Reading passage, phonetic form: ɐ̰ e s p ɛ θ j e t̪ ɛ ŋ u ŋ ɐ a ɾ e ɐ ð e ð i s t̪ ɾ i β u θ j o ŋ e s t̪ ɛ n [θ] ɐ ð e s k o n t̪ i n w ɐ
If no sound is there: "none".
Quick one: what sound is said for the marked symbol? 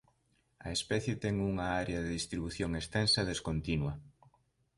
s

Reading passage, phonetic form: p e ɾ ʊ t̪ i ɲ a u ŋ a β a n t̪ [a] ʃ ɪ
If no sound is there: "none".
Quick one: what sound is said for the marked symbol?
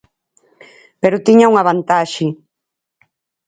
a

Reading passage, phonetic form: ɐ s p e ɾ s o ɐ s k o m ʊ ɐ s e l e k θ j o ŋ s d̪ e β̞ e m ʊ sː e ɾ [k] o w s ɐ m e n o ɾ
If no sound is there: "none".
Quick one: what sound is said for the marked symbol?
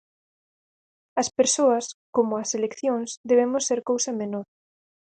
k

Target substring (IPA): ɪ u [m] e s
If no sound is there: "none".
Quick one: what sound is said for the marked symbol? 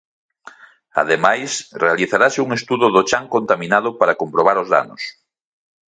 ŋ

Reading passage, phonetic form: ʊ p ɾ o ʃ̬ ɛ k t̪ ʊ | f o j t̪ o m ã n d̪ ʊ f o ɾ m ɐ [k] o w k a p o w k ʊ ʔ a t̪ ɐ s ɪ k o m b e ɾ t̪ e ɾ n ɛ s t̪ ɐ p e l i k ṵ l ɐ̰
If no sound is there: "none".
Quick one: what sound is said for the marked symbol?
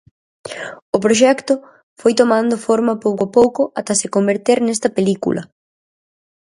p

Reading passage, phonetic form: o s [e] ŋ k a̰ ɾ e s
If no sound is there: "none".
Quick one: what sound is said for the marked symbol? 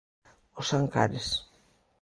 a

